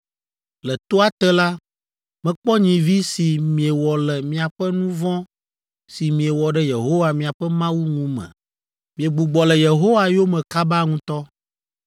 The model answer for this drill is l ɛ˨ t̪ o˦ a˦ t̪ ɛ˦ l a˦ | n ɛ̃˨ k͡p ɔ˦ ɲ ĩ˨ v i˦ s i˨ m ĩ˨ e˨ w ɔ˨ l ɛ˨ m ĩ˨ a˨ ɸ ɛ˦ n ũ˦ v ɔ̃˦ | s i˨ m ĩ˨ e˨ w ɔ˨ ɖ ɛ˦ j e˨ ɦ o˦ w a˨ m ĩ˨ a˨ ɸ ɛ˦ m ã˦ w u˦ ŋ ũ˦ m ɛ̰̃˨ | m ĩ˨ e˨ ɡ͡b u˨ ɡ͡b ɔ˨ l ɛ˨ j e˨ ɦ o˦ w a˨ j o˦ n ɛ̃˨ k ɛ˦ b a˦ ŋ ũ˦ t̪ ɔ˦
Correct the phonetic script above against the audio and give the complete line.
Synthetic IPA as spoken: l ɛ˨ t̪ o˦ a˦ t̪ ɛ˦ l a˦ | m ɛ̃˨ k͡p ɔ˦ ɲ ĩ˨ v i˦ s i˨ m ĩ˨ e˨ w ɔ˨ l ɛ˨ m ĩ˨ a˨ ɸ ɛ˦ n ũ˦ v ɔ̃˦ | s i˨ m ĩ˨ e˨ w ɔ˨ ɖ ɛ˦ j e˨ ɦ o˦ w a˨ m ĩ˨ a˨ ɸ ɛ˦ m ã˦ w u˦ ŋ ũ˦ m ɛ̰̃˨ | m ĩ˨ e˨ ɡ͡b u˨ ɡ͡b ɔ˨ l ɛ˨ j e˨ ɦ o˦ w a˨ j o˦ m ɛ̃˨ k a˦ b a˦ ŋ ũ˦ t̪ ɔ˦